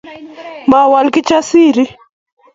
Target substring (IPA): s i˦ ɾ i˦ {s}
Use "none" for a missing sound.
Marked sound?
none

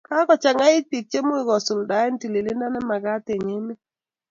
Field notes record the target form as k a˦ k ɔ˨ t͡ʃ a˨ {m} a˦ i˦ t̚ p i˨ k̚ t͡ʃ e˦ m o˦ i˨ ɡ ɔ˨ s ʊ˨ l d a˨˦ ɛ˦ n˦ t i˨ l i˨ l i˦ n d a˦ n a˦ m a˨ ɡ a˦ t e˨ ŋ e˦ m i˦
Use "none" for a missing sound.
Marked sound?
ŋ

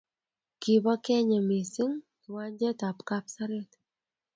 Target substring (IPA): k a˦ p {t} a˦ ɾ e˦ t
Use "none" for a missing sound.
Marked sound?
s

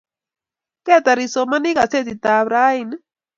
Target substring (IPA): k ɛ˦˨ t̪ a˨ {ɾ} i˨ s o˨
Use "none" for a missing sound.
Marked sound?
ɾ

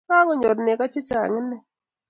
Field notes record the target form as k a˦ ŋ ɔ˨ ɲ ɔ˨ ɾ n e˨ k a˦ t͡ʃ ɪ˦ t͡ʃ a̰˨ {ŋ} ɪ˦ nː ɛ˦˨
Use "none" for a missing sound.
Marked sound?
ŋ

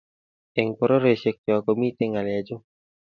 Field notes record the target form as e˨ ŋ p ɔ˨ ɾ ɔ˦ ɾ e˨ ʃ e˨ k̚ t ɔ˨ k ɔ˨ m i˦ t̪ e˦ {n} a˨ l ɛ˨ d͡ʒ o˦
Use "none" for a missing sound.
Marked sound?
ŋ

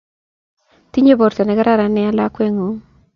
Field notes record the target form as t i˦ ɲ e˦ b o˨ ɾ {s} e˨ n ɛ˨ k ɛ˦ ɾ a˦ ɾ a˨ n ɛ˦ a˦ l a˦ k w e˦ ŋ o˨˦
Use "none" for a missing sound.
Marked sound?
t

